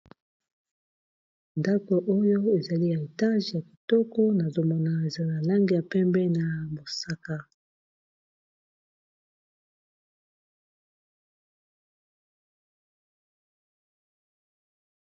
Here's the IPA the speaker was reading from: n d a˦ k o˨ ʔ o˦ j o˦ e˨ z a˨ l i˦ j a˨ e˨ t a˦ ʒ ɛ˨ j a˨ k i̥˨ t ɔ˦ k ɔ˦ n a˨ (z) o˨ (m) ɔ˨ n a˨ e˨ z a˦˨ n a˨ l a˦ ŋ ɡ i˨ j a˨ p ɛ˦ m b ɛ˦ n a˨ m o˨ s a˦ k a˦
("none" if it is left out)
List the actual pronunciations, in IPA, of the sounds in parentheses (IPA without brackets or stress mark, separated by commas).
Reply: z, m